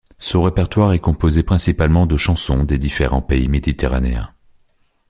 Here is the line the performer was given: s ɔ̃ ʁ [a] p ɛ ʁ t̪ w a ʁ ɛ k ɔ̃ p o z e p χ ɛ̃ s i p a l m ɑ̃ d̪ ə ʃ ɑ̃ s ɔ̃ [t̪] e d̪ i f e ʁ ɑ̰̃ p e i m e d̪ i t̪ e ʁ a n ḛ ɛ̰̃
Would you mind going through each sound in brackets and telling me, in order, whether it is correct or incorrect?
incorrect: e, incorrect: d̪

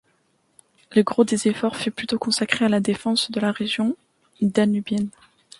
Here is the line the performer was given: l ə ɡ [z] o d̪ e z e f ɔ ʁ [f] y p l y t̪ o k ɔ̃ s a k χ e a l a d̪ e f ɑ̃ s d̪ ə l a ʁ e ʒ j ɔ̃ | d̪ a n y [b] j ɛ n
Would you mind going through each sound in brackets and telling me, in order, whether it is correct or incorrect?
incorrect: ʁ, correct, correct

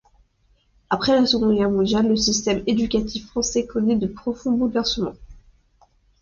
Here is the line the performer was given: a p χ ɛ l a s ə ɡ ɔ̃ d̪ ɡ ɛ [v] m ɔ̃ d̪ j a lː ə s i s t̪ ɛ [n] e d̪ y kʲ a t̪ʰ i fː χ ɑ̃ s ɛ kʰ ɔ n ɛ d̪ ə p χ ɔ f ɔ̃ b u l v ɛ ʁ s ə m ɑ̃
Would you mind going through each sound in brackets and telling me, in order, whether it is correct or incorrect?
incorrect: ʁ, incorrect: m

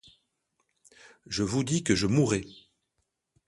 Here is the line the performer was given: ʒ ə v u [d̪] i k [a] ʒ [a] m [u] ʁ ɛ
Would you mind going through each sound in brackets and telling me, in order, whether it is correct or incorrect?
correct, incorrect: ə, incorrect: ə, correct

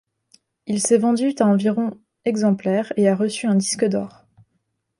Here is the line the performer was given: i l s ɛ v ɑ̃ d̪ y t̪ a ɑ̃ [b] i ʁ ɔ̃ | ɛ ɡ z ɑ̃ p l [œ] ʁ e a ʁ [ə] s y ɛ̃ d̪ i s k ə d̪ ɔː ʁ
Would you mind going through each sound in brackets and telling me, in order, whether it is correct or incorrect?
incorrect: v, incorrect: ɛ, correct

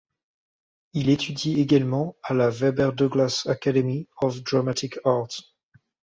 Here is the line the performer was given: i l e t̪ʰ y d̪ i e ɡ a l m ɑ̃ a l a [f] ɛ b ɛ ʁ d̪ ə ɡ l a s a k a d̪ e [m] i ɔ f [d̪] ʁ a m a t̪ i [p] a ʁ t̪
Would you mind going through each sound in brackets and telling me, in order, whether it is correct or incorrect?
incorrect: v, correct, correct, incorrect: k

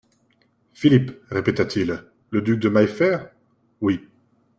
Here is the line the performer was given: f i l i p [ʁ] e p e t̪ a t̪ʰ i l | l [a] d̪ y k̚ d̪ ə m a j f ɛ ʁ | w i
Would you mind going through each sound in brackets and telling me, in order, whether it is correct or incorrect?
correct, incorrect: ə

